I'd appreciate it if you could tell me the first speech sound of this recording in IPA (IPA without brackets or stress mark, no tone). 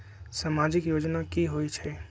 s